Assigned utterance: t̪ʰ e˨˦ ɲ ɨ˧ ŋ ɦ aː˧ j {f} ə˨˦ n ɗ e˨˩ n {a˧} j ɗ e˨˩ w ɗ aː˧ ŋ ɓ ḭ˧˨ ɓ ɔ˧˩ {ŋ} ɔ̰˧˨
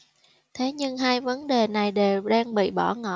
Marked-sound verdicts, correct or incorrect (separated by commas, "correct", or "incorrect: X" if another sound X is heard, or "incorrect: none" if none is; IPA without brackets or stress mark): incorrect: v, incorrect: a˨˩, correct